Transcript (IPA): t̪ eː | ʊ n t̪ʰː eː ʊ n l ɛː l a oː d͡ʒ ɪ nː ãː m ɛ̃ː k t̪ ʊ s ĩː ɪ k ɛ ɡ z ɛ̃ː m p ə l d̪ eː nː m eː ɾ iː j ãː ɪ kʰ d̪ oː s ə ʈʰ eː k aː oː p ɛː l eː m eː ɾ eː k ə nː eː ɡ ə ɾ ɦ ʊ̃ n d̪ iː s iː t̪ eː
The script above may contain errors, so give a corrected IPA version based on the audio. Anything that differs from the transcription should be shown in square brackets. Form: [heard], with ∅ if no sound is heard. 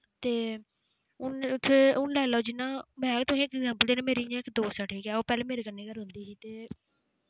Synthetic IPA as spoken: t̪ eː | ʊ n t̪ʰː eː ʊ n l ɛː l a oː d͡ʒ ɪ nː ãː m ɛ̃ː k t̪ ʊ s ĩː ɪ k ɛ ɡ z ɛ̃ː m p ə l d̪ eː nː m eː ɾ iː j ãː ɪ [k] d̪ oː s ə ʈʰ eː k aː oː p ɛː l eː m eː ɾ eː k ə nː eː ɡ ə ɾ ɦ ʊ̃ n d̪ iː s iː t̪ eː